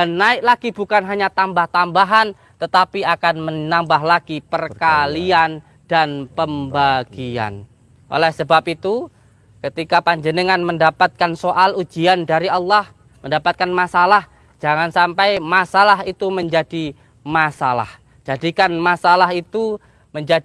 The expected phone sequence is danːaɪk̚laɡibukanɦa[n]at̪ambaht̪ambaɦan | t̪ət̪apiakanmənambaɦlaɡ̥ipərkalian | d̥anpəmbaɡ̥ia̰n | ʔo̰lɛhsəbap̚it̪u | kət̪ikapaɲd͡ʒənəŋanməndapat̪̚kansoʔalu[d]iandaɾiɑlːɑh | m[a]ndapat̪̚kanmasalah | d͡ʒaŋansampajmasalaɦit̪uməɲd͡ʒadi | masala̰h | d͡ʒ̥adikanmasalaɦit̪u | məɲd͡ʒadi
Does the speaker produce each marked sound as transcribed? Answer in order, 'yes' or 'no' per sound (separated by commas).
no, no, no